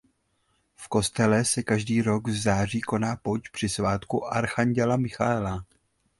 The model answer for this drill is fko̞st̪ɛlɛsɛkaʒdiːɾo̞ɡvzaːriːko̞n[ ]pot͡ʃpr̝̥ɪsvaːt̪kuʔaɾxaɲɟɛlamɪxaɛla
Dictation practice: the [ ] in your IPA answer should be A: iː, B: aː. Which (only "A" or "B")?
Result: B